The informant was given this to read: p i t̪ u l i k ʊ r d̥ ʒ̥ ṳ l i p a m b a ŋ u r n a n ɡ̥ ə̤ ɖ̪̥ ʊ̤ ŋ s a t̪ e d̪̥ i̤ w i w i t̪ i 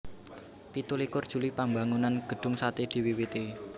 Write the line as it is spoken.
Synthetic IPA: p i t̪ u l i k ʊ r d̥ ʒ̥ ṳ l i p a m b a ŋ u n a n ɡ̥ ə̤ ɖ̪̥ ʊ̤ ŋ s a t̪ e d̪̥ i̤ w i w i t̪ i